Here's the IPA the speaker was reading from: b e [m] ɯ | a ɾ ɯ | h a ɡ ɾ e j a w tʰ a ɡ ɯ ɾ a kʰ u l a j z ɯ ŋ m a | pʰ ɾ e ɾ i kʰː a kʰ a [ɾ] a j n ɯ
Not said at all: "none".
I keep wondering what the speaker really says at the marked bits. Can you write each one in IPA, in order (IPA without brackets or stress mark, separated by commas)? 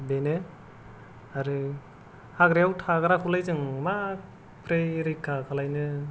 n, l